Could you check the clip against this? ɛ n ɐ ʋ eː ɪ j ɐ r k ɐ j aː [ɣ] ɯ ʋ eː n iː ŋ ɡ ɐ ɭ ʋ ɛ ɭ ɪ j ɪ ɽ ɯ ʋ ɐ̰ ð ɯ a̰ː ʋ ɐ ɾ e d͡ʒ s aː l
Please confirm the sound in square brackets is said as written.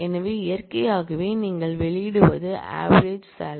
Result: yes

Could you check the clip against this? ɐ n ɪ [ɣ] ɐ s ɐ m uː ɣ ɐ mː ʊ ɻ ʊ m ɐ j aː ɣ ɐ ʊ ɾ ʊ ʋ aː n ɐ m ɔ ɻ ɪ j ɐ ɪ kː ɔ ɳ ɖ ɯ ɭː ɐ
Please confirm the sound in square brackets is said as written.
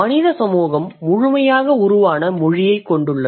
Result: no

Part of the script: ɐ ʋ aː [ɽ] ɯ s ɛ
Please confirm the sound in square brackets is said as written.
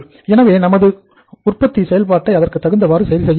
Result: no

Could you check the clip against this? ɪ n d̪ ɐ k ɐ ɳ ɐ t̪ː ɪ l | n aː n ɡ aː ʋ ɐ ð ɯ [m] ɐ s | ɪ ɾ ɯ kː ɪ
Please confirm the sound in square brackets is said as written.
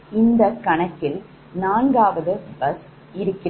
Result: no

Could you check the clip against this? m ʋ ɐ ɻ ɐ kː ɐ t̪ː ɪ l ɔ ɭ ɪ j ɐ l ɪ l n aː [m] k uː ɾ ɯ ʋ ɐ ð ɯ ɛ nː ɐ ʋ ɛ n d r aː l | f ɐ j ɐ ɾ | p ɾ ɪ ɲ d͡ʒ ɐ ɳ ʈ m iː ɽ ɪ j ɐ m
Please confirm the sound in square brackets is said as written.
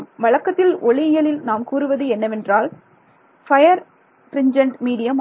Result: yes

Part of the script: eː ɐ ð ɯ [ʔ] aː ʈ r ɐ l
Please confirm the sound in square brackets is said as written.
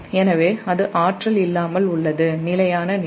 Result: yes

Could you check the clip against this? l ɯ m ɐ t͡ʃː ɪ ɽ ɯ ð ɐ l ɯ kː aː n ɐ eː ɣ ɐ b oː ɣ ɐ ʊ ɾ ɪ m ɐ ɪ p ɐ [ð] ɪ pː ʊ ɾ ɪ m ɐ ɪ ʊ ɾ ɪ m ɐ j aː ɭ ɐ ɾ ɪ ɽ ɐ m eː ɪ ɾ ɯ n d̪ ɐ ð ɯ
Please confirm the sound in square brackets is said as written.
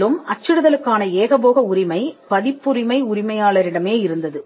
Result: yes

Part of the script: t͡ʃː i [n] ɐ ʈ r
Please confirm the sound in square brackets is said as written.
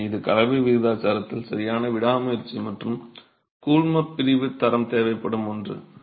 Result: no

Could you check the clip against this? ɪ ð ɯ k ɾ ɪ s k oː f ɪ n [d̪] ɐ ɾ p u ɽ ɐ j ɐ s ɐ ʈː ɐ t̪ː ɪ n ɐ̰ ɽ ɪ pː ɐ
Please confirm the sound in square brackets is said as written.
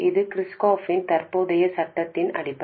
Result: no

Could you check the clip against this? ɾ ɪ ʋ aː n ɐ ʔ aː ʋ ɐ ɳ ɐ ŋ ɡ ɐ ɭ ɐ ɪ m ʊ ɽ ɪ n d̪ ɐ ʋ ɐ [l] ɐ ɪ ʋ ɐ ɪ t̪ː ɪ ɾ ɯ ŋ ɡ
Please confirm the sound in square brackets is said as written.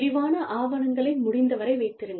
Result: no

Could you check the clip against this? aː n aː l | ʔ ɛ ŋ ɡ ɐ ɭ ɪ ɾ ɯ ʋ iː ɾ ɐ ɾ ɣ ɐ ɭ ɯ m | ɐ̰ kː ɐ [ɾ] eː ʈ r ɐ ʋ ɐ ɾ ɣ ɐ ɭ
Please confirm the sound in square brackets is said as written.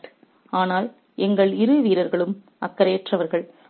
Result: yes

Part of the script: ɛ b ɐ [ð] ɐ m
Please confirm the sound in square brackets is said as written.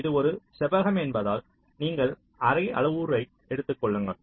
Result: no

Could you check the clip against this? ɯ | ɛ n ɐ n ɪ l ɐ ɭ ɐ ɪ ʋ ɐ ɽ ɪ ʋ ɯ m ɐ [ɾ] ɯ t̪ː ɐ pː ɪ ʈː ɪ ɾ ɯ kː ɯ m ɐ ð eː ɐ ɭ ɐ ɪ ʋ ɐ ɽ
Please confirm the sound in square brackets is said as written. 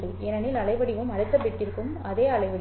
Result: no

